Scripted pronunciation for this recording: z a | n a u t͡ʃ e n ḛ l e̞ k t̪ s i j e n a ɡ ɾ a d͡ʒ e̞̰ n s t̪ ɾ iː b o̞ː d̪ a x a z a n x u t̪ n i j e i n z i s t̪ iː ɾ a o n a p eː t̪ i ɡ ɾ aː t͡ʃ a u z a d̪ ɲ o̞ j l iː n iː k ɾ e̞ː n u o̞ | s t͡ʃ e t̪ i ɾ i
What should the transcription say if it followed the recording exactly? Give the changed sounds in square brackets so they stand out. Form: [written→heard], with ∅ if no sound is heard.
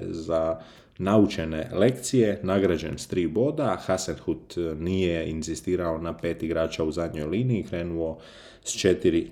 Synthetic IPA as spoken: z a | n a u t͡ʃ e n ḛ l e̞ k t̪ s i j e n a ɡ ɾ a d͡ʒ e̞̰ n s t̪ ɾ iː b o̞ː d̪ a x a [z→s] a n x u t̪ n i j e i n z i s t̪ iː ɾ a o n a p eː t̪ i ɡ ɾ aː t͡ʃ a u z a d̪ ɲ o̞ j l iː n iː k ɾ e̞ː n u o̞ | s t͡ʃ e t̪ i ɾ i